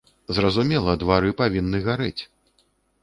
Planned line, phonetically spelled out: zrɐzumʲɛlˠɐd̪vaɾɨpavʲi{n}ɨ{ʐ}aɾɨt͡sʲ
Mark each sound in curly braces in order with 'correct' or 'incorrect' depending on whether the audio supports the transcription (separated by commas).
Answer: incorrect, incorrect